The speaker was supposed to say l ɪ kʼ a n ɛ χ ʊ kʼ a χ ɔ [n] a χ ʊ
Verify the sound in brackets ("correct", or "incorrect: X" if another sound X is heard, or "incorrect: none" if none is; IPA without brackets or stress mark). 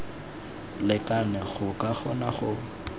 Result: correct